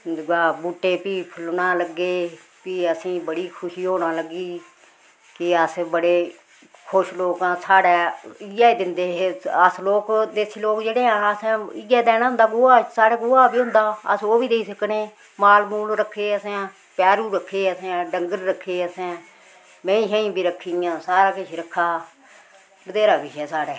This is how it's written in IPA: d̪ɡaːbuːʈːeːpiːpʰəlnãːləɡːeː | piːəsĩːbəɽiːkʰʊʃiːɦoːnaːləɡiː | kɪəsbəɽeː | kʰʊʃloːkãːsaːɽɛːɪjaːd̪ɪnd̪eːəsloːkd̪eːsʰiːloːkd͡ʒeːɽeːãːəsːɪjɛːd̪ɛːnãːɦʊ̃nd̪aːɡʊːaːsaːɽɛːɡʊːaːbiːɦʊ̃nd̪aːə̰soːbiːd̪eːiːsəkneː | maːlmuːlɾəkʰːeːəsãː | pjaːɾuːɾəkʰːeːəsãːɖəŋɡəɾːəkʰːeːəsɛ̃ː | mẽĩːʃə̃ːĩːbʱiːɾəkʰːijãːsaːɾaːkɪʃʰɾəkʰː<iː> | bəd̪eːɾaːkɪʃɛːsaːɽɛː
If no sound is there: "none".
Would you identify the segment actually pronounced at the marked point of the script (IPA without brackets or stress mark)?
aː